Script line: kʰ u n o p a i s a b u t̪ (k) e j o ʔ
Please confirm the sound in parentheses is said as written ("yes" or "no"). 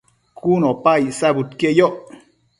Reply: yes